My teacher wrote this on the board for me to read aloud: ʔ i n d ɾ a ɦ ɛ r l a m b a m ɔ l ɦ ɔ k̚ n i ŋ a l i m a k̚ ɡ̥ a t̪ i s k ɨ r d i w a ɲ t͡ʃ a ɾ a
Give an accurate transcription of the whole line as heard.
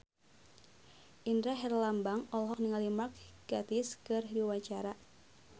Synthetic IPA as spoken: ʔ i n d ɾ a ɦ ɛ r l a m b a ŋ ɔ l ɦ ɔ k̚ n i ŋ a l i m a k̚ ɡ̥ a t̪ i s k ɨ r d i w a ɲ t͡ʃ a ɾ a